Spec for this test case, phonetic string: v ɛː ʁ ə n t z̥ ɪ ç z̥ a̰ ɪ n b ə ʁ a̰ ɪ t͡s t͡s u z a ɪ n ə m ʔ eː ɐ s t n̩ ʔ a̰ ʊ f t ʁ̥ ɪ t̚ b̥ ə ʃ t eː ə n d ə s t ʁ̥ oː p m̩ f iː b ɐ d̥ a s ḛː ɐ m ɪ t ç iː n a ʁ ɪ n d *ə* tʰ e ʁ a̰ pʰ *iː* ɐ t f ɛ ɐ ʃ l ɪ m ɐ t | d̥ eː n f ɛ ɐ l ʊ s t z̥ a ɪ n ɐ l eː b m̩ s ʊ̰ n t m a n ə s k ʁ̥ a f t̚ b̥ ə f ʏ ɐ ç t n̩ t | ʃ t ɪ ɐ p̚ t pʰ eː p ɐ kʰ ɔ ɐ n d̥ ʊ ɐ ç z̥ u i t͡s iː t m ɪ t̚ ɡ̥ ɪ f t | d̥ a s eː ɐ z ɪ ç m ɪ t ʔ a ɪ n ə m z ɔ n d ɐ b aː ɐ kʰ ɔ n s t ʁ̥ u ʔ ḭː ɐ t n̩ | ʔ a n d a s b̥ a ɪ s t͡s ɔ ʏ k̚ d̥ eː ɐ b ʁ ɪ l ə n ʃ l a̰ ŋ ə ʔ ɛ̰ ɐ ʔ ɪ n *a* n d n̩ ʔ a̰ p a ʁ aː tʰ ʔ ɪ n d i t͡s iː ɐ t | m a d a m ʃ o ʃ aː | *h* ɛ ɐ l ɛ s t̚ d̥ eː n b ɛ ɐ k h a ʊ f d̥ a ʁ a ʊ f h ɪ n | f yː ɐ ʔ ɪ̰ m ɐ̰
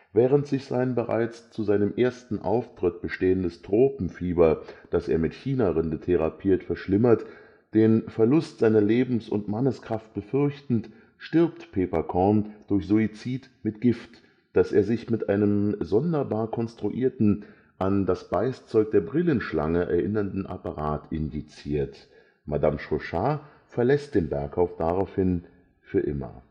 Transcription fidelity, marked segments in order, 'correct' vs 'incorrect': correct, correct, incorrect, incorrect

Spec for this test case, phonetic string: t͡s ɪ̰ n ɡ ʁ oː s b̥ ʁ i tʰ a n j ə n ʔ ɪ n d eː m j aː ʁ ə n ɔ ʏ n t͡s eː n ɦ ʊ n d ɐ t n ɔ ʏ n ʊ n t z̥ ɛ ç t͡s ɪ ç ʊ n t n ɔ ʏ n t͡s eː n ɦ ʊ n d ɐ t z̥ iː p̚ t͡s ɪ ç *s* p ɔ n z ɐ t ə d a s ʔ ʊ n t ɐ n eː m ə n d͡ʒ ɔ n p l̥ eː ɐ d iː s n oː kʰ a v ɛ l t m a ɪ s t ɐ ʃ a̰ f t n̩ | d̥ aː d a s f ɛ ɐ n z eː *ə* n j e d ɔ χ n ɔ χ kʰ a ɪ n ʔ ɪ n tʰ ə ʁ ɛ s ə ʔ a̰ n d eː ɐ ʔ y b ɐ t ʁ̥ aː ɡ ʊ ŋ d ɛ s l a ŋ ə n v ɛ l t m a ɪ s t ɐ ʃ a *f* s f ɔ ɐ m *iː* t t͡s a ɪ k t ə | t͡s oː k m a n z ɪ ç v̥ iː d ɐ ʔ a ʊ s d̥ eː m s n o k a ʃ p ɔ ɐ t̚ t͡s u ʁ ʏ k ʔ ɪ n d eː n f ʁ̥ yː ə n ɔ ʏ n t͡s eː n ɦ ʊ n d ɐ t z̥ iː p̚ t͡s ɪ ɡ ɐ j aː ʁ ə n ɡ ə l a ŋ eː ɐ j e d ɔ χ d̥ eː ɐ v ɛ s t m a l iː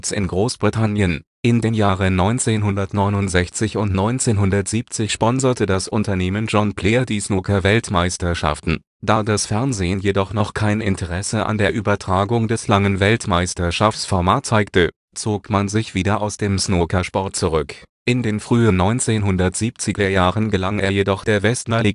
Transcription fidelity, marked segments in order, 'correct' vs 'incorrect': incorrect, correct, correct, incorrect

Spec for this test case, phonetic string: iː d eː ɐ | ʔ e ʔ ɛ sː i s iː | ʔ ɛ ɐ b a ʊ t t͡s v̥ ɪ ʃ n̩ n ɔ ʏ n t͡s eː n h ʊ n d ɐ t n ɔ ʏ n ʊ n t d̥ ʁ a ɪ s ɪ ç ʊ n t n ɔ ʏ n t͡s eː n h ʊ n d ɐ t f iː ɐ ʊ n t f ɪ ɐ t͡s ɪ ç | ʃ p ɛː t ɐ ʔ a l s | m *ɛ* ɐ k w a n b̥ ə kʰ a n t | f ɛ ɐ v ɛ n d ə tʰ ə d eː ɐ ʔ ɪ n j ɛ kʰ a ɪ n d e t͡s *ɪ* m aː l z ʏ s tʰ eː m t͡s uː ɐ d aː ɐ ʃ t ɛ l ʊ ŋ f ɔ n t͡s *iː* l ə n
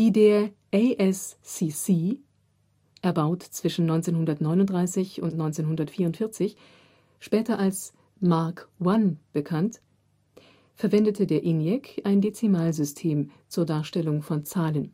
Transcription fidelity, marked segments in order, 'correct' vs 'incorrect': incorrect, incorrect, incorrect

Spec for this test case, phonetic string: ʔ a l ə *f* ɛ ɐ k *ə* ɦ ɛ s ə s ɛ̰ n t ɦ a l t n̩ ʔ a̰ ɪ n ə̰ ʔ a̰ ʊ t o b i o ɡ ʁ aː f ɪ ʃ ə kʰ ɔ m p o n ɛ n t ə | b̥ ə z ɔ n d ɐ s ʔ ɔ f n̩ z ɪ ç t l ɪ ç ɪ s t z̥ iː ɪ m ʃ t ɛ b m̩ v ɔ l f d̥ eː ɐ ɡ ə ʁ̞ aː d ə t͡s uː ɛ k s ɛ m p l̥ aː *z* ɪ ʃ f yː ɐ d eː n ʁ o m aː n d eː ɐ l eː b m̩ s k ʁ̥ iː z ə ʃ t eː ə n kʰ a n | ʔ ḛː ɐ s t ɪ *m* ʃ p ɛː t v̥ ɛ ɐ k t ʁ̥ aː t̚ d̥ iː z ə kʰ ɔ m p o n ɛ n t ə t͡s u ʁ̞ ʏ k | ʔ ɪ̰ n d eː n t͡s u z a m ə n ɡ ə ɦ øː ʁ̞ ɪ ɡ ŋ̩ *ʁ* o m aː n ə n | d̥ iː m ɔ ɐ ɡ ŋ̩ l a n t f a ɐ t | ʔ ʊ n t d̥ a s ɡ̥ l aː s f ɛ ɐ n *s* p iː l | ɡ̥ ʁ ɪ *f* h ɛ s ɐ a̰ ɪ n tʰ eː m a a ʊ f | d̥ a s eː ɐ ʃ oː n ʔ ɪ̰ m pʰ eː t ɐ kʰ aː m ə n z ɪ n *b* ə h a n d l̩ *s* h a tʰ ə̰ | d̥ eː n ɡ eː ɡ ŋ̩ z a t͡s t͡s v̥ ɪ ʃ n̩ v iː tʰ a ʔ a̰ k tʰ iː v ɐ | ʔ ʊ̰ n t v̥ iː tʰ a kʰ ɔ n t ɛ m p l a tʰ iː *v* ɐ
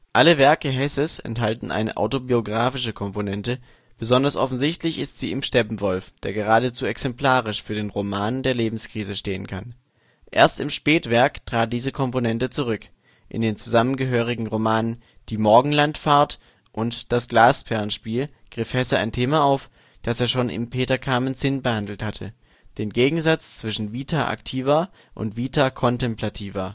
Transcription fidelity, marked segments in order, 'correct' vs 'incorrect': incorrect, correct, incorrect, correct, correct, incorrect, correct, correct, incorrect, correct

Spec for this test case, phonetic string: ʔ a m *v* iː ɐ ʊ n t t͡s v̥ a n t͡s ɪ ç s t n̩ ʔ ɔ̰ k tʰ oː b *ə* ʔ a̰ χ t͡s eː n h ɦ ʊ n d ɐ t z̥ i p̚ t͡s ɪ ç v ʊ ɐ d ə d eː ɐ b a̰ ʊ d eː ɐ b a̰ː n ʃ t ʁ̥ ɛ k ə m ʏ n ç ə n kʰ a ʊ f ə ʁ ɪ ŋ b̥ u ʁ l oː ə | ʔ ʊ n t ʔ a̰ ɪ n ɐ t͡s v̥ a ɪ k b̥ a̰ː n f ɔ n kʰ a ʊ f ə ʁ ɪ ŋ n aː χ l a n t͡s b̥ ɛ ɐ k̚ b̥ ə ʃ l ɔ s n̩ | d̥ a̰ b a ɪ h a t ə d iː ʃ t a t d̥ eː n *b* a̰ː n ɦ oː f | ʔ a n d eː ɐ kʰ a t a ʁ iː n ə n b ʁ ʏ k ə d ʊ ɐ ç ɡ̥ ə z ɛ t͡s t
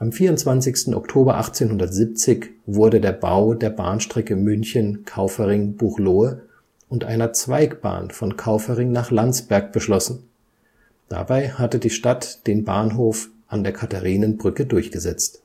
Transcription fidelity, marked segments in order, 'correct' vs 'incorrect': incorrect, incorrect, correct

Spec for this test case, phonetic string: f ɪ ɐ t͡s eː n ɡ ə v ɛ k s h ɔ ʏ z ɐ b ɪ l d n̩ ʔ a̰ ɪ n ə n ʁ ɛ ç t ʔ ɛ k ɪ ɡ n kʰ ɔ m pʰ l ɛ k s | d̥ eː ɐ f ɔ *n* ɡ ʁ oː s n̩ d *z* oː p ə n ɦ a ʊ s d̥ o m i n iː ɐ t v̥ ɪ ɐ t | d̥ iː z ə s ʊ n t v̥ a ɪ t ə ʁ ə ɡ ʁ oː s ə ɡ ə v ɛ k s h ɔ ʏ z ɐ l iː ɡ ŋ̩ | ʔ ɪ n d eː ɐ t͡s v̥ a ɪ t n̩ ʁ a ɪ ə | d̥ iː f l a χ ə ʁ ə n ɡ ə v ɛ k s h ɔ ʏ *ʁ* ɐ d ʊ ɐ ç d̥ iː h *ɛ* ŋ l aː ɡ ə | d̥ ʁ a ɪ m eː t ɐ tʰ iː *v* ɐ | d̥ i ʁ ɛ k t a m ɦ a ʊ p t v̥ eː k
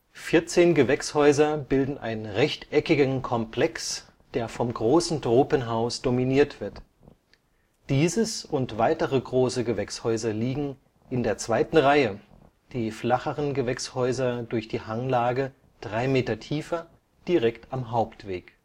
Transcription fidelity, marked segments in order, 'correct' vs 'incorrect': incorrect, incorrect, incorrect, incorrect, incorrect

